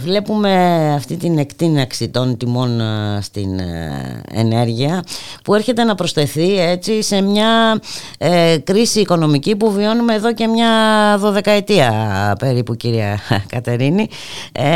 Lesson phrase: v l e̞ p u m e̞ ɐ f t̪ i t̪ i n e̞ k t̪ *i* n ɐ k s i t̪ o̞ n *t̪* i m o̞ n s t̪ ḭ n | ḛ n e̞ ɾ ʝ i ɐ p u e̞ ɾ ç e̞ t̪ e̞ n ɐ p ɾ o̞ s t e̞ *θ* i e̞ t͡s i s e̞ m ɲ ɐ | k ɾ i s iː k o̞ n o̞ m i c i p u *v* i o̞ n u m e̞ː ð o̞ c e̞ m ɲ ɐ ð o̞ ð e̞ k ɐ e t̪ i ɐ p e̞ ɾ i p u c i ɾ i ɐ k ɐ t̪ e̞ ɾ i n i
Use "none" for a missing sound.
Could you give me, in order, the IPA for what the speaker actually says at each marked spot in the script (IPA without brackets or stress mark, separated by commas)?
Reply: i, t̪, θ, v